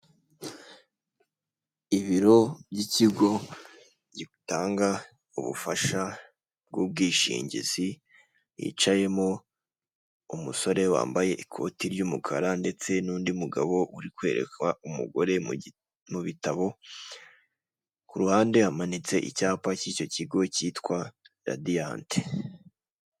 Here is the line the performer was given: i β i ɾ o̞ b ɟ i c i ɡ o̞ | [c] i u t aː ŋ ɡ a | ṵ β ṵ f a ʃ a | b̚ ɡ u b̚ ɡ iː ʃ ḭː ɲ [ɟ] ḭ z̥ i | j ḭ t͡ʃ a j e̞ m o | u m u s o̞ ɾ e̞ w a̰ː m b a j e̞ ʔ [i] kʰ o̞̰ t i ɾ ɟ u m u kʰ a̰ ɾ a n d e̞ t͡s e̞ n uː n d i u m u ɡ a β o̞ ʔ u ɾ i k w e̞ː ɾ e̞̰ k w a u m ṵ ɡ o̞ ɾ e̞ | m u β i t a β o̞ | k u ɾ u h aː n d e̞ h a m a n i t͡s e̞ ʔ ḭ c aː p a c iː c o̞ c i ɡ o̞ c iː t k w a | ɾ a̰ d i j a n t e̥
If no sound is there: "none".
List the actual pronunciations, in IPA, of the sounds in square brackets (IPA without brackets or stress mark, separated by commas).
ɟ, ɟ, i